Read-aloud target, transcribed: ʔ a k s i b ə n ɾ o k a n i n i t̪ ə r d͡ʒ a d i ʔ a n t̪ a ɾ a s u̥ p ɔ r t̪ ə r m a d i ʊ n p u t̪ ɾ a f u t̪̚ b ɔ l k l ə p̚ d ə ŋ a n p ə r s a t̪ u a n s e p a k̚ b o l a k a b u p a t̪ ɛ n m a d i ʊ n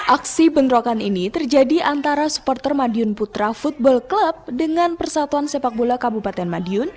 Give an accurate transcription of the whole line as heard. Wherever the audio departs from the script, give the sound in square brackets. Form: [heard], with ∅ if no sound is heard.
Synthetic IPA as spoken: ʔ a k s i b ə n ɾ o k a n i n i t̪ ə r d͡ʒ a d i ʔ a n t̪ a ɾ a s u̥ p ɔ r t̪ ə r m a d i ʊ n p u t̪ ɾ a f u t̪̚ b ɔ l k l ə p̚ d ə ŋ a n p ə r s a t̪ u a n s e p a k̚ b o l a k a b u p a t̪ ɛ n m a d i ʊ n